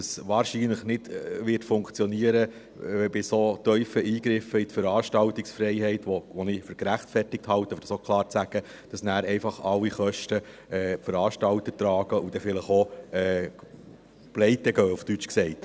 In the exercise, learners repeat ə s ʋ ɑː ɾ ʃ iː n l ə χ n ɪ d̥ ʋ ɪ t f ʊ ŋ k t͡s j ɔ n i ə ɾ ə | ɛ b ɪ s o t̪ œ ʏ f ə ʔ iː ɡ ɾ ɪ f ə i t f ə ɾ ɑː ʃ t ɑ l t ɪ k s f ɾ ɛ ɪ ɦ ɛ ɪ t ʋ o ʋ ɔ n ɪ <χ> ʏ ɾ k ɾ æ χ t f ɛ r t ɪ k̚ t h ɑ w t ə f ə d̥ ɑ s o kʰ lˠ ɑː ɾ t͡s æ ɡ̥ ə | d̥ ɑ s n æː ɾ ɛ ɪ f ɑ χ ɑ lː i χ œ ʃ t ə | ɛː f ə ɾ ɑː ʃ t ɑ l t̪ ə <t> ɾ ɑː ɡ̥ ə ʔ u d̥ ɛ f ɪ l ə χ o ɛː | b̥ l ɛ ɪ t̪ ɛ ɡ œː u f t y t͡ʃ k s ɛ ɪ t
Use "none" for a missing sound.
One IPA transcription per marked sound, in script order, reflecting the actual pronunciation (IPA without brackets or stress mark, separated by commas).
f, t